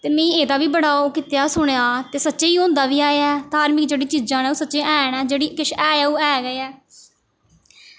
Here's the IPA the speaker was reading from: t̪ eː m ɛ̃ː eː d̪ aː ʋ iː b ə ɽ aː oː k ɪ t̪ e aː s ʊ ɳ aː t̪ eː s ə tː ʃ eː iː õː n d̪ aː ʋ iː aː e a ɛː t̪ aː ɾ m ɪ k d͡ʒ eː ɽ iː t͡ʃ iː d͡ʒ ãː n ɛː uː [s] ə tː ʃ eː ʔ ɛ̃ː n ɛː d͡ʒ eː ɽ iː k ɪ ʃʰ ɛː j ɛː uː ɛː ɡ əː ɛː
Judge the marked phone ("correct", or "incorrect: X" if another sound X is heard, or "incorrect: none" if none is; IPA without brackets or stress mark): correct